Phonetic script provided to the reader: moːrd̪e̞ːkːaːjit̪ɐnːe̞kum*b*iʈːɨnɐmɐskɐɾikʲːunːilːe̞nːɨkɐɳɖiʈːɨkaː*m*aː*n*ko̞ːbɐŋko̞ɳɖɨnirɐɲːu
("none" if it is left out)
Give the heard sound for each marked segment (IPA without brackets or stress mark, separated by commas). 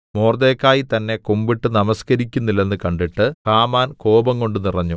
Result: b, m, n